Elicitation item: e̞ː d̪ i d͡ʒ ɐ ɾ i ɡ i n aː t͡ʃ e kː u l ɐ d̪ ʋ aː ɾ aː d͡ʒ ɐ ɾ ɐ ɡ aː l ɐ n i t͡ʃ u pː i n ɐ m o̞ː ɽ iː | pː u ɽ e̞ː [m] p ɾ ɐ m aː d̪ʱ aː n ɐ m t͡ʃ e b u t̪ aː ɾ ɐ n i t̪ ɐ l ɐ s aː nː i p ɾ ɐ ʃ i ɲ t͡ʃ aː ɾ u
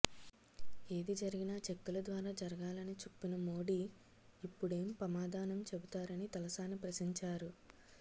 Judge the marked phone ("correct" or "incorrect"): correct